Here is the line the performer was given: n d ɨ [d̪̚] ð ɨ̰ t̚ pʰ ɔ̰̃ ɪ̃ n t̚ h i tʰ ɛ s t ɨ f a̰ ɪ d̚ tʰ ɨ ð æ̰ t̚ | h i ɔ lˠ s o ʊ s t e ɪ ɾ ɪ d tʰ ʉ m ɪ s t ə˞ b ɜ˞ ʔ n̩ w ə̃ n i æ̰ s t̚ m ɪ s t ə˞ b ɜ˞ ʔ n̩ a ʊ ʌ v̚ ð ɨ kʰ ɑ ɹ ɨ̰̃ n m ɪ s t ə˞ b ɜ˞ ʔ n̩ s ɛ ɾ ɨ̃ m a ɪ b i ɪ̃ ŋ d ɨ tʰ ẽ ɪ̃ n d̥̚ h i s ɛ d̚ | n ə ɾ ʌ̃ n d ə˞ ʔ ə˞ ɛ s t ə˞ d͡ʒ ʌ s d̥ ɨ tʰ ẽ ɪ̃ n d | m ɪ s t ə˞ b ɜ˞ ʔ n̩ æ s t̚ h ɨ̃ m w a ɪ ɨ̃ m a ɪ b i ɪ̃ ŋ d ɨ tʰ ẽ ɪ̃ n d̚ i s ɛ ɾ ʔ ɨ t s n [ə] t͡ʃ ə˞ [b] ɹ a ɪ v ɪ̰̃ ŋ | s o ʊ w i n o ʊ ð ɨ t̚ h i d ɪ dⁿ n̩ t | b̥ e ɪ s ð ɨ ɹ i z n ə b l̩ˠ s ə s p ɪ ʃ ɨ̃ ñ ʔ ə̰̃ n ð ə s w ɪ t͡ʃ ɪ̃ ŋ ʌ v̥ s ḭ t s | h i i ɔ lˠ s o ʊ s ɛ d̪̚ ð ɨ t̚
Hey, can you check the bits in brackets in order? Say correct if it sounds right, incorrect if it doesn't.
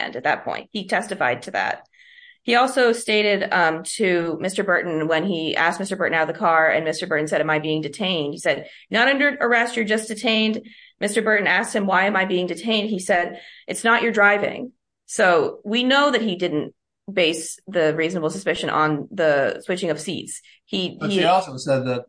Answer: incorrect: t̪̚, correct, incorrect: d

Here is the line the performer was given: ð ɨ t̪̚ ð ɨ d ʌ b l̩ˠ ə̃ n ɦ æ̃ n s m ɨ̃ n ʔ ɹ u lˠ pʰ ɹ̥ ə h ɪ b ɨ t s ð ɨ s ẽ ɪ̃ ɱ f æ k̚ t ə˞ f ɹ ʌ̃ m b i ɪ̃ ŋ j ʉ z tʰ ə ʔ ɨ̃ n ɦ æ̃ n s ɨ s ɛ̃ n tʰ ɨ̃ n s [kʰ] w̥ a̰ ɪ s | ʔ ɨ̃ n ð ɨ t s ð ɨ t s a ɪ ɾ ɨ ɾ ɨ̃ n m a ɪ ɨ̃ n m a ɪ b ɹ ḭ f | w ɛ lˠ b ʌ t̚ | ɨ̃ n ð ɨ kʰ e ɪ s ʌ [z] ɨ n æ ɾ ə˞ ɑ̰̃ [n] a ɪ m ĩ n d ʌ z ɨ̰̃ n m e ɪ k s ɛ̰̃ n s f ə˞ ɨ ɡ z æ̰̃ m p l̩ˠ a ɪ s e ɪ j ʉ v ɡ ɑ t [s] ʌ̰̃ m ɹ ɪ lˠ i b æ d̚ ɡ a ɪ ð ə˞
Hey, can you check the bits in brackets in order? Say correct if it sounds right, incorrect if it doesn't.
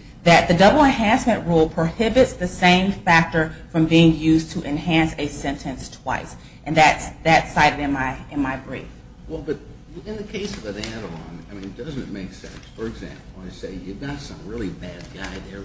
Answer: incorrect: tʰ, incorrect: v, correct, correct

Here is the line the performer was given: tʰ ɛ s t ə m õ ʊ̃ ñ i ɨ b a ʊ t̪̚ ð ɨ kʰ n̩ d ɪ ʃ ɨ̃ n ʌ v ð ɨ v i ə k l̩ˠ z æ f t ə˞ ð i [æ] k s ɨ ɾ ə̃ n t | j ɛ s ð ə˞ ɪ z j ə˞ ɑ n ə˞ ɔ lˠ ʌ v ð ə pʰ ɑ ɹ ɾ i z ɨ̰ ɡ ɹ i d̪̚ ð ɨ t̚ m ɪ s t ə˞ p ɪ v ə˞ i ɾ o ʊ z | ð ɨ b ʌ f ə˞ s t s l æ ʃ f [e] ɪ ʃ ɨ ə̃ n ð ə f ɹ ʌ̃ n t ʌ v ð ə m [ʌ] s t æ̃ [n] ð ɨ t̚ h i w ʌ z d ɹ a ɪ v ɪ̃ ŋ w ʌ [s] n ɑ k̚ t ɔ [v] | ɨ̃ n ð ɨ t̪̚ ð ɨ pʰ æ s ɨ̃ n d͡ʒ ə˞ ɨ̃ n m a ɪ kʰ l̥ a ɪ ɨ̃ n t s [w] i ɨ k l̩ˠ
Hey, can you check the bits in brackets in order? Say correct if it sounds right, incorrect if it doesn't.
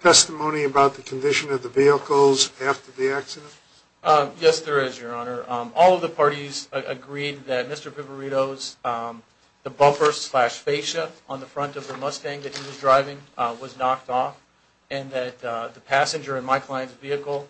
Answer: correct, correct, correct, incorrect: ŋ, incorrect: z, incorrect: f, incorrect: v

